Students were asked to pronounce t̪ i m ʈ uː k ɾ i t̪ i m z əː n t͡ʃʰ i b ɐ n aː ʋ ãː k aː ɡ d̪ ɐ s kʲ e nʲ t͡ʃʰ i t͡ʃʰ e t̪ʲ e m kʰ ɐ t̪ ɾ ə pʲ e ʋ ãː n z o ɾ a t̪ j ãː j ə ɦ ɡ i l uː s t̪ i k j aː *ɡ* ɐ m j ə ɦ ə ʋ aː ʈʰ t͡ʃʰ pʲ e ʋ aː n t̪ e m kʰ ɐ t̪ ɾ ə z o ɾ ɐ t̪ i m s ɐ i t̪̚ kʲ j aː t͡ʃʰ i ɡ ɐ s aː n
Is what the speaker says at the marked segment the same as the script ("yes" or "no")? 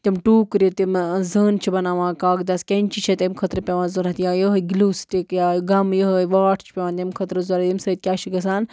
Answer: yes